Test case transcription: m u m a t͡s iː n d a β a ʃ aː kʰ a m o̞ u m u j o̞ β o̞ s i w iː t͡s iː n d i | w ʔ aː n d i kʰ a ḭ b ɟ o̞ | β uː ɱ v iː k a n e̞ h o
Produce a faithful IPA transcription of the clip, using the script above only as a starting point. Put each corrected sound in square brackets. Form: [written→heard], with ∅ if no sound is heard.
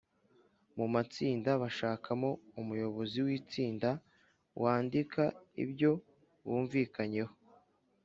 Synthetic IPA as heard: m u m a t͡s iː n d a β a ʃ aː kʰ a m o̞ u m u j o̞ β o̞ [s→z] i w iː t͡s iː n d [i→a] | w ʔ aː n d i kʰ a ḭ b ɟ o̞ | β uː ɱ v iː k a [n→ɲ] e̞ h o

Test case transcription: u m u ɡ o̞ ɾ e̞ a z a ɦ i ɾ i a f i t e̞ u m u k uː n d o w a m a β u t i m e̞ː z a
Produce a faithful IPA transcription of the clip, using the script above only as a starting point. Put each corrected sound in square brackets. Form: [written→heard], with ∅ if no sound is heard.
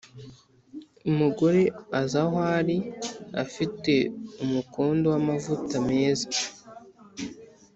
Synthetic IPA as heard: u m u ɡ o̞ ɾ e̞ a z a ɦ [i→a] ɾ i a f i t e̞ u m u k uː n d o w a m a [β→v] u t [i→a] m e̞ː z a

